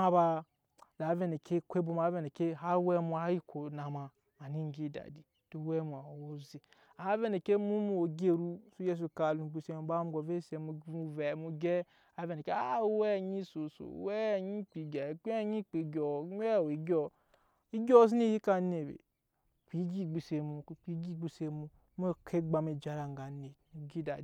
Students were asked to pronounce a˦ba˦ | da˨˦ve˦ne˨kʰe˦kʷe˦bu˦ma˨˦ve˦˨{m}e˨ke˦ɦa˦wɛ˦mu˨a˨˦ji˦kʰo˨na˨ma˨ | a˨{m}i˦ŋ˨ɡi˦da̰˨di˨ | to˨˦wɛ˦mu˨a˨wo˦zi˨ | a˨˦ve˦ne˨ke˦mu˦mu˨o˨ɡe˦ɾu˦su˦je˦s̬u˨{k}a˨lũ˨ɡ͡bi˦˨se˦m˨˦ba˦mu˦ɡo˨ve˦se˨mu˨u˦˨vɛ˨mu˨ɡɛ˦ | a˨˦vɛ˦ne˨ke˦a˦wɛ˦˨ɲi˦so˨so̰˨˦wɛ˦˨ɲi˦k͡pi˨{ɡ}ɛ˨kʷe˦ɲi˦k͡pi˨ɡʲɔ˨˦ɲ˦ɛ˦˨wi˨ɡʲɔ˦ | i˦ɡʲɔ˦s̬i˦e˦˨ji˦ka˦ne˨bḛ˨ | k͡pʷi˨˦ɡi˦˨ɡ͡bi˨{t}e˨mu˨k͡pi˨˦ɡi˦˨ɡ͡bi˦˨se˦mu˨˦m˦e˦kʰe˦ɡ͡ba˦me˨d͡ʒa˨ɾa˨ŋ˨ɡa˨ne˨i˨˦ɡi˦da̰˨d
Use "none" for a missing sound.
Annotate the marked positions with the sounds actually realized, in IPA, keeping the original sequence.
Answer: n, n, k, ɡ, s

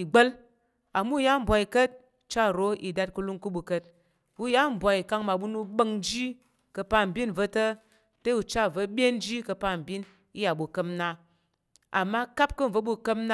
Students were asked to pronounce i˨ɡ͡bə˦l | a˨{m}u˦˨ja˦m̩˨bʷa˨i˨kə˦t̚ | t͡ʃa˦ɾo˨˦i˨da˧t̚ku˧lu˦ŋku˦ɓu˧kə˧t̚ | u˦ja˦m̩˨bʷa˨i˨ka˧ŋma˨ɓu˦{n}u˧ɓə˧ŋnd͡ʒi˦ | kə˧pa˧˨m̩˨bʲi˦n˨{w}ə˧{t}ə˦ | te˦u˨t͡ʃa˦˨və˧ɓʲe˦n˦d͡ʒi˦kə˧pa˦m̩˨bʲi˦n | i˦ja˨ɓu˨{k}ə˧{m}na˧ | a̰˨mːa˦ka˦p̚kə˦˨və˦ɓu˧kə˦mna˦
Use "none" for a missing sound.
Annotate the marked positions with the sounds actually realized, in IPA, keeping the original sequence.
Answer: m, n, v, t, k, m

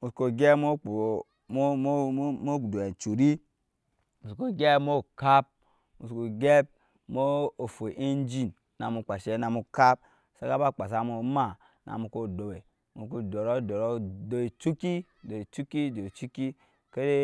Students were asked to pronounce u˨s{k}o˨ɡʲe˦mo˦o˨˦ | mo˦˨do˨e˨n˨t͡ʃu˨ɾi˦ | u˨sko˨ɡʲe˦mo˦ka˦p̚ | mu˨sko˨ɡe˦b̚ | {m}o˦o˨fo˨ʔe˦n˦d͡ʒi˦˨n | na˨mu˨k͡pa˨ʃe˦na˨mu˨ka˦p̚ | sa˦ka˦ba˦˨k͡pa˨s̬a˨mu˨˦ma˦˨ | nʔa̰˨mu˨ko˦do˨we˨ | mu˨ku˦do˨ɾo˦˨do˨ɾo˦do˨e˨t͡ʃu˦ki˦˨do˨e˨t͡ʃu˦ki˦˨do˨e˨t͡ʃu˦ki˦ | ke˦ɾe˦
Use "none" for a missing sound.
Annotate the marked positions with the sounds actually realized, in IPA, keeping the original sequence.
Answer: k, m

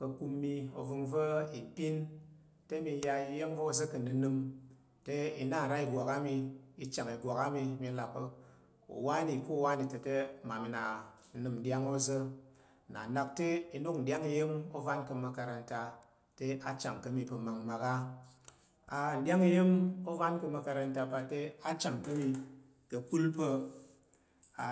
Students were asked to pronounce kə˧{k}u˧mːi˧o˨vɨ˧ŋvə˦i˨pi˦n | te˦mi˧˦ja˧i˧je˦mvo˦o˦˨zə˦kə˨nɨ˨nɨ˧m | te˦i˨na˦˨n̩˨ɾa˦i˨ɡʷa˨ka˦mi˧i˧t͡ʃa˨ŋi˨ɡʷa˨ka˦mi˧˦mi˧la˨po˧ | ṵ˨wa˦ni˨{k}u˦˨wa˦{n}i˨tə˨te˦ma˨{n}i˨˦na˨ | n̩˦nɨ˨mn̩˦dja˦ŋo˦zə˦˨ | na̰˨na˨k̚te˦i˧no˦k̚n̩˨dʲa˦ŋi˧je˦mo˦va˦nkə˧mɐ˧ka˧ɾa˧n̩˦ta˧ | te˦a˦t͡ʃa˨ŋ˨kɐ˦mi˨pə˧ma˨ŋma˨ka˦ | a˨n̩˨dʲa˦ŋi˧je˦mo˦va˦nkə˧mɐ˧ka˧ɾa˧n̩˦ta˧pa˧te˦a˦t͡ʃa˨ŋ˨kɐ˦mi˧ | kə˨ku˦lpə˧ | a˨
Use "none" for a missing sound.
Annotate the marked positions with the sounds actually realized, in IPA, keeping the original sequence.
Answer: k, k, n, m

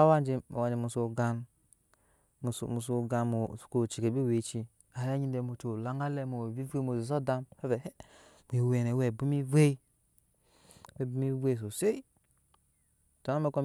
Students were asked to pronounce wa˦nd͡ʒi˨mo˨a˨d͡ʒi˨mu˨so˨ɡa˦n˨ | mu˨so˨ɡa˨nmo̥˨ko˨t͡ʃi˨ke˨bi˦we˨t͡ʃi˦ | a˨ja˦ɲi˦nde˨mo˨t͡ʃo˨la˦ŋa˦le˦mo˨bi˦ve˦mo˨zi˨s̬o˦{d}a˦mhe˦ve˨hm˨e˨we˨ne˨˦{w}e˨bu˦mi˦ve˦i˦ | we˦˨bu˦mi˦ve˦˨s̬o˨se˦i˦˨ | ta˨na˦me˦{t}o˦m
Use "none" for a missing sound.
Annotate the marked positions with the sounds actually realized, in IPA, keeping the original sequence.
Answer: d, w, k

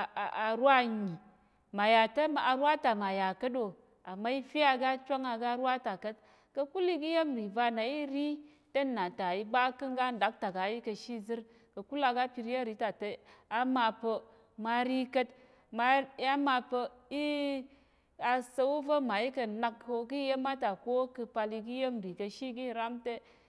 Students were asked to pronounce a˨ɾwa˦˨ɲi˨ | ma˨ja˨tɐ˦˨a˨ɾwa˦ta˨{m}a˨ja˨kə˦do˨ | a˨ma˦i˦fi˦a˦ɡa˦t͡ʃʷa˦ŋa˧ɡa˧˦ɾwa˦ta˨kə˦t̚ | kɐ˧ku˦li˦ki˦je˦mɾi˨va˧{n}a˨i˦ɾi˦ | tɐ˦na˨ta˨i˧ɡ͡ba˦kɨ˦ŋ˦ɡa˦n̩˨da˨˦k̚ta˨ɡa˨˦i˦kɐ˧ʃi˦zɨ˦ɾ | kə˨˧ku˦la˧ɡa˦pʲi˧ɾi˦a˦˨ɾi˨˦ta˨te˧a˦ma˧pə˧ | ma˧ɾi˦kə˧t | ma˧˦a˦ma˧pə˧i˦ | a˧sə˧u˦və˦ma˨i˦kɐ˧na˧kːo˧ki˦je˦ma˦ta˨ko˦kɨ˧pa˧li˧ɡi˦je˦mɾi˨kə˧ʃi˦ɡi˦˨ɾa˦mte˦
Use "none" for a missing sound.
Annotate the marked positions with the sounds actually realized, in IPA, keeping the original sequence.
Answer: m, n

